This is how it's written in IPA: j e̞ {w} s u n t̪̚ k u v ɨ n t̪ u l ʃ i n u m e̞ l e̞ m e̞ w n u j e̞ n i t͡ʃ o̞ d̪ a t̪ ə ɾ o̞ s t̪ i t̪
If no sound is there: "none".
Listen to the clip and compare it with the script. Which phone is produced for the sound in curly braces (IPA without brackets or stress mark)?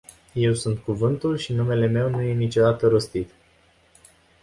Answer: w